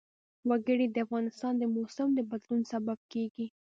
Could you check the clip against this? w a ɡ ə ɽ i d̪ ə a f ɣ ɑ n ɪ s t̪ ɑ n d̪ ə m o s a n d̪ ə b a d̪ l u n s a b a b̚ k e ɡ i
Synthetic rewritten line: w a ɡ ə ɽ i d̪ ə a f ɣ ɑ n ɪ s t̪ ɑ n d̪ ə m o s a m d̪ ə b a d̪ l u n s a b a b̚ k e ɡ i